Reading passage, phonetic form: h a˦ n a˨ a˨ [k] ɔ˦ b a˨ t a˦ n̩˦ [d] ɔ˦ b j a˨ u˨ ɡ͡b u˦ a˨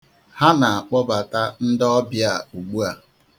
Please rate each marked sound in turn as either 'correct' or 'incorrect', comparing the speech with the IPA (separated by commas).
incorrect, correct